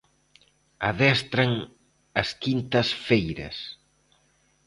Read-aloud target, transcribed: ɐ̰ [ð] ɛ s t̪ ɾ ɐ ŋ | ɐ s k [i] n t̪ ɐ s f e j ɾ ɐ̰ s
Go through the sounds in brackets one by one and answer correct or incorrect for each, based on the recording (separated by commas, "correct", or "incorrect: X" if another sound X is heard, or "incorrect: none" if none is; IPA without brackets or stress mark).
correct, correct